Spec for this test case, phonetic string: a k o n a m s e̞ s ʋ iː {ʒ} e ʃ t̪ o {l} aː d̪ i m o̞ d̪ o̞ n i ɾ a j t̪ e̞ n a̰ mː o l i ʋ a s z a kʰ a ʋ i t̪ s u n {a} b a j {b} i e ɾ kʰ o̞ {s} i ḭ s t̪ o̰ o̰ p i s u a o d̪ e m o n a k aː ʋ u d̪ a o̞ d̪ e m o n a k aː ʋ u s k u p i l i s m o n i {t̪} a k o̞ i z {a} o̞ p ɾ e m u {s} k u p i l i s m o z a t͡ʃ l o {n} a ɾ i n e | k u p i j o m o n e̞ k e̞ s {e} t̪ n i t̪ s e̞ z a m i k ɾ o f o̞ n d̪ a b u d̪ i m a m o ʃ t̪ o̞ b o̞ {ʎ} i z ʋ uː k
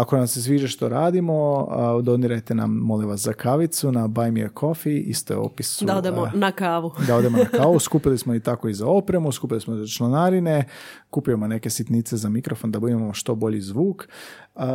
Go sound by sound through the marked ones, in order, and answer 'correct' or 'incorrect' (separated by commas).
correct, incorrect, correct, incorrect, incorrect, correct, correct, correct, correct, incorrect, correct